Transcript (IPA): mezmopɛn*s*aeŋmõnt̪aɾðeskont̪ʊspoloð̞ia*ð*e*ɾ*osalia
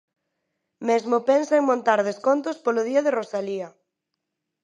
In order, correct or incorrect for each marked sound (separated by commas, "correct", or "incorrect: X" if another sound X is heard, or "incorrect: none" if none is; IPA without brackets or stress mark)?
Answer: correct, correct, incorrect: r